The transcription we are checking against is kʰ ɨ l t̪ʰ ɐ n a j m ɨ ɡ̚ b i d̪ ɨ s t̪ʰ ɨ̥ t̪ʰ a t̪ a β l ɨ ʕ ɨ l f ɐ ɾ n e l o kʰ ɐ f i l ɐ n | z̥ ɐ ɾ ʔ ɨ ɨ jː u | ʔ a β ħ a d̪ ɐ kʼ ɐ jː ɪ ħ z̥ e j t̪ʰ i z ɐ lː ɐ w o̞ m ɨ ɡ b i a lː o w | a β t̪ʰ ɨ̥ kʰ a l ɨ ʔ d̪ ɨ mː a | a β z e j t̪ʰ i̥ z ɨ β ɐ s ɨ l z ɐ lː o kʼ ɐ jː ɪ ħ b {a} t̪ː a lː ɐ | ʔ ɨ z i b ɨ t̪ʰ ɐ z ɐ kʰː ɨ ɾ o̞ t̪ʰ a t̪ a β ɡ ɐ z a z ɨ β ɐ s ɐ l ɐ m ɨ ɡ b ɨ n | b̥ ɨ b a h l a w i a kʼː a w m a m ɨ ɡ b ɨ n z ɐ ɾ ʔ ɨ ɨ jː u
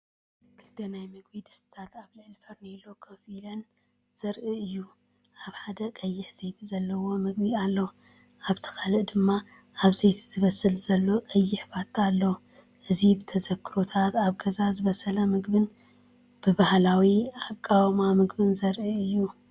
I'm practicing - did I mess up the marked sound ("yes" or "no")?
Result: no